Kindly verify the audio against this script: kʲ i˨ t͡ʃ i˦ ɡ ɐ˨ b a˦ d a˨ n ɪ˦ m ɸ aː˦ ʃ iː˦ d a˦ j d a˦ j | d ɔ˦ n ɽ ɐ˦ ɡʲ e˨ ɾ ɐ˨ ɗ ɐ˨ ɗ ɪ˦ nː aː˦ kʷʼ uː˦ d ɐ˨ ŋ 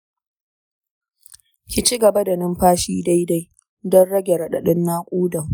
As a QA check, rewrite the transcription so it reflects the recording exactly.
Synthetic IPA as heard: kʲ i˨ t͡ʃ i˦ ɡ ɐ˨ b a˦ d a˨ n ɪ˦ m ɸ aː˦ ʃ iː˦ d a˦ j d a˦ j | d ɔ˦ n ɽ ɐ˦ ɡʲ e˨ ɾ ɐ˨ ɗ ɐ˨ ɗ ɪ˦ nː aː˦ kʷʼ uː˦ d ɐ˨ ŋ